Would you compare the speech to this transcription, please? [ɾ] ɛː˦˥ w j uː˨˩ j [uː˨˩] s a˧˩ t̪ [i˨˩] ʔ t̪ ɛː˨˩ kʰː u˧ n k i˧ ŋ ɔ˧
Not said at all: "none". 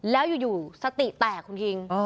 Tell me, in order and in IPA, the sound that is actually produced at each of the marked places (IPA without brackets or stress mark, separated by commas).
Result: l, uː˨˩, i˨˩